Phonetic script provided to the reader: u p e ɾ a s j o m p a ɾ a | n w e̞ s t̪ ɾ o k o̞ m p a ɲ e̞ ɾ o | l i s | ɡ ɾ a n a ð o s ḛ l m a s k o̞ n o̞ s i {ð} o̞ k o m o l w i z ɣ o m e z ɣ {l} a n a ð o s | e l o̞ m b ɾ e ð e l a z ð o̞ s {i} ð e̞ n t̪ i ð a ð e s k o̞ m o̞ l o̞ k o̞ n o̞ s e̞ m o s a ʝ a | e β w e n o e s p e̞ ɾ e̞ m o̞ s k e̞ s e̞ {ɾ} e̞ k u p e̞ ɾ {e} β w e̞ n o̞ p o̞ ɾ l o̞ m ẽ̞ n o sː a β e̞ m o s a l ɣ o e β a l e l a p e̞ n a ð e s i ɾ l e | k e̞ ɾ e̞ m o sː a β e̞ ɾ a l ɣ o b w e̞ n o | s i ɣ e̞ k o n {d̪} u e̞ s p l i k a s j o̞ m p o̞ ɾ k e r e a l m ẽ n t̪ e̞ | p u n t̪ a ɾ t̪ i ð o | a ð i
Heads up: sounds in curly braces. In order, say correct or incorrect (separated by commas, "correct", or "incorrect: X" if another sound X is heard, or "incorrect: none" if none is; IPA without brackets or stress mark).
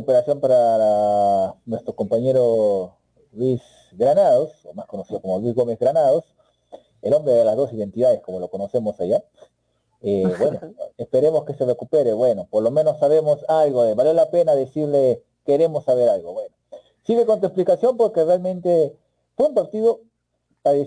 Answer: correct, incorrect: ɾ, correct, incorrect: r, correct, incorrect: t̪